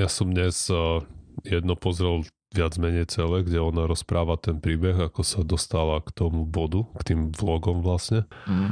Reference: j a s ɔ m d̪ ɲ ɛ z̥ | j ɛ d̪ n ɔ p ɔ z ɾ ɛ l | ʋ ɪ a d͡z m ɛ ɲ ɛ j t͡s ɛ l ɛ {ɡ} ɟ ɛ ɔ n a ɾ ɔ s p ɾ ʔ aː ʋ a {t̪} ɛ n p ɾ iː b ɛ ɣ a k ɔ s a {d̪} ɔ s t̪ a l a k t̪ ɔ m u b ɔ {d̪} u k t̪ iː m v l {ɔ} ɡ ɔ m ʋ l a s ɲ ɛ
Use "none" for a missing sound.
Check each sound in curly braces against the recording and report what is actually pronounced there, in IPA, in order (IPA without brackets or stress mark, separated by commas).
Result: ɡ, t̪, d̪, d̪, ɔ